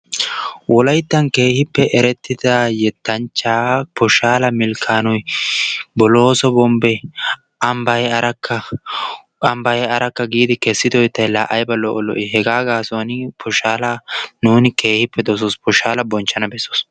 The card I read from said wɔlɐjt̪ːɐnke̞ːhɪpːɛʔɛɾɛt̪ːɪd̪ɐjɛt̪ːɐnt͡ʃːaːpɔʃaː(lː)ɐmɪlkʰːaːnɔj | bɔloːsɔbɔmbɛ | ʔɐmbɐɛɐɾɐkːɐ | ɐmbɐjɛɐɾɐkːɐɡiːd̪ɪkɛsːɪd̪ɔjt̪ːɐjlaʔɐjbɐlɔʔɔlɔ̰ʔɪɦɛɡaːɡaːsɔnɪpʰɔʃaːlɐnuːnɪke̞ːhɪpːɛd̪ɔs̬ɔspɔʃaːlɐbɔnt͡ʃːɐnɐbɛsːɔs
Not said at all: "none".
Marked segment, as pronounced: l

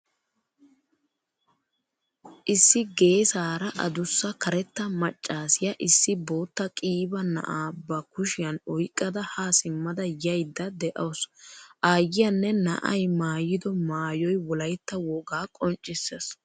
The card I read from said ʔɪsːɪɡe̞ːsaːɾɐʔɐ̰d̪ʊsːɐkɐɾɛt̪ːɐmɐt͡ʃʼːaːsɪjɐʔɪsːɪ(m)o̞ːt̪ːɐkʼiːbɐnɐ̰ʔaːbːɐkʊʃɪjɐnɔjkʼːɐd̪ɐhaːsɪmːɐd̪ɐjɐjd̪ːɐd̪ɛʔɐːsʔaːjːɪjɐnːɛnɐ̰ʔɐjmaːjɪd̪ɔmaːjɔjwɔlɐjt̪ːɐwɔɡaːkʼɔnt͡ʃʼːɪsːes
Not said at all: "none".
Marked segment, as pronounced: b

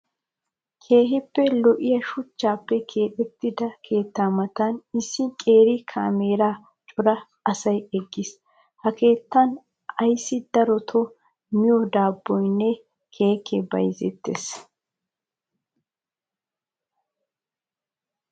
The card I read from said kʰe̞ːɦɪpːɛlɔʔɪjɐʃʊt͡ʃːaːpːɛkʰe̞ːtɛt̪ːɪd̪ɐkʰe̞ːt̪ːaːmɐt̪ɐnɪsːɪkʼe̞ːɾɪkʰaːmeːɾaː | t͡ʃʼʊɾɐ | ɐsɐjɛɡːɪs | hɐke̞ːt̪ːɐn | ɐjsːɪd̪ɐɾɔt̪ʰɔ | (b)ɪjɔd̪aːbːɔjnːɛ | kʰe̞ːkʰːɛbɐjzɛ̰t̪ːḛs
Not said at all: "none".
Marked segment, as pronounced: m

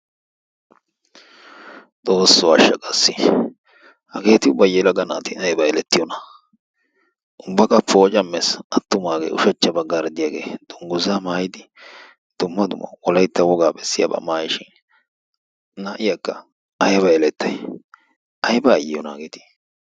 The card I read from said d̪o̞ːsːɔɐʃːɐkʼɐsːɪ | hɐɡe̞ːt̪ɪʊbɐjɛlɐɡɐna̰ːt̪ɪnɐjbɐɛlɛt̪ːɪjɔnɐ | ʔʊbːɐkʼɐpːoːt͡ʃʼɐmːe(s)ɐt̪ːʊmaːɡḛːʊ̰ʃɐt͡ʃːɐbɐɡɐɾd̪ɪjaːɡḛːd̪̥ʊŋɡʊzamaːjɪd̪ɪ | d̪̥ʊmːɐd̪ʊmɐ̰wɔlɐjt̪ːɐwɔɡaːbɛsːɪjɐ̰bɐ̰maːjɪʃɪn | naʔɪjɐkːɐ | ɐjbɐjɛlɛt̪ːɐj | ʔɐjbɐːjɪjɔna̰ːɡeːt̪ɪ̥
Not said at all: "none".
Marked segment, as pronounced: s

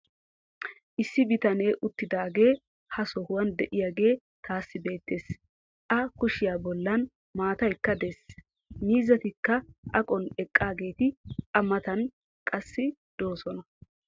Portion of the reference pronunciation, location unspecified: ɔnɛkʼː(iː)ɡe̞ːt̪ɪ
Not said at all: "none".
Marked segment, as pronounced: aː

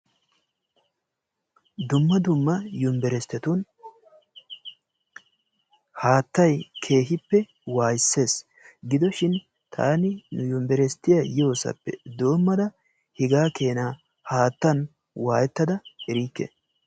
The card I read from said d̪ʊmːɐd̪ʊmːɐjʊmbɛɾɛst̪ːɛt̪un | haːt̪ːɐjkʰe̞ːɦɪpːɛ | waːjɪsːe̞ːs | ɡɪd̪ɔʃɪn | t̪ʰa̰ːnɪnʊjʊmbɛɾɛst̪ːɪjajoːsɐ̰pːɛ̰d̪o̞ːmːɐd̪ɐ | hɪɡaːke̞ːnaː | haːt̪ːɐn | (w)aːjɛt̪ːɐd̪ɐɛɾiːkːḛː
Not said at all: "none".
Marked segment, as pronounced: w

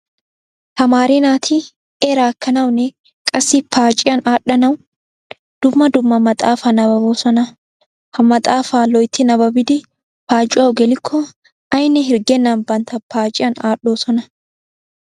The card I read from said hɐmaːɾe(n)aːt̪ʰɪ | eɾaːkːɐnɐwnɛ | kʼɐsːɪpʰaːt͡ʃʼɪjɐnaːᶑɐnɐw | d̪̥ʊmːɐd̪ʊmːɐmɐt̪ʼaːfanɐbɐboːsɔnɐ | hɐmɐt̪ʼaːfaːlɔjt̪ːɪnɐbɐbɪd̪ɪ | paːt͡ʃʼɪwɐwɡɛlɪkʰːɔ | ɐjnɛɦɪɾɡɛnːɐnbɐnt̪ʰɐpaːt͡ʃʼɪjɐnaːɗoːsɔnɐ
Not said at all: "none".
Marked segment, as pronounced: n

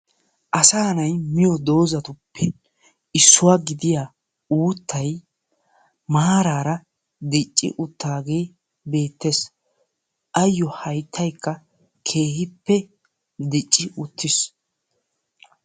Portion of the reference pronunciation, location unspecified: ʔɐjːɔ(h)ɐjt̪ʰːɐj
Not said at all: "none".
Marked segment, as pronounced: h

